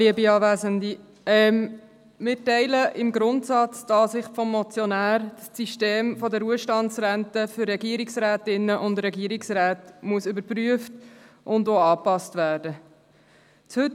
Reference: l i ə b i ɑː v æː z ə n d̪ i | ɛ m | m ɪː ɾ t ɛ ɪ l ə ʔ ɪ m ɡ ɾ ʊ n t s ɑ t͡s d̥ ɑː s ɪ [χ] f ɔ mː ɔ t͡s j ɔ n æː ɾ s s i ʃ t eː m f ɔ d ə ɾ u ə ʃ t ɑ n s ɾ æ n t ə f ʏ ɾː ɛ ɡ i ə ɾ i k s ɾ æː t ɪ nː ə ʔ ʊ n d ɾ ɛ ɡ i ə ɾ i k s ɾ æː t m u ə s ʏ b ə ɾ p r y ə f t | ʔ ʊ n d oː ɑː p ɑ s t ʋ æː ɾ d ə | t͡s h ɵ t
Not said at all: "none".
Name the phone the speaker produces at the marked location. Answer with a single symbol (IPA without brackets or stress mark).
χ